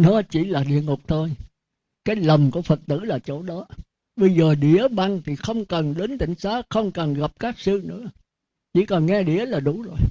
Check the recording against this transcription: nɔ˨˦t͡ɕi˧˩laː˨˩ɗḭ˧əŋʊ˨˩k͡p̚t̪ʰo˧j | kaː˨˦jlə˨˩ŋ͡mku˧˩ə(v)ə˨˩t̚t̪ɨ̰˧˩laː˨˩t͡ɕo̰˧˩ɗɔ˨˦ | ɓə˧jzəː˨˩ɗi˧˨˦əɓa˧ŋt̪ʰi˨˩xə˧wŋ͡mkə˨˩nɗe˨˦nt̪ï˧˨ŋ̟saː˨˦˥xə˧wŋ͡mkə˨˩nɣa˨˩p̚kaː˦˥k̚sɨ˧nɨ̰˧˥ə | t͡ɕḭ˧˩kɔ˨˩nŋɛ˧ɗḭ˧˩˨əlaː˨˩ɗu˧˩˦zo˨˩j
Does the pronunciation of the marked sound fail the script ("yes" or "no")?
yes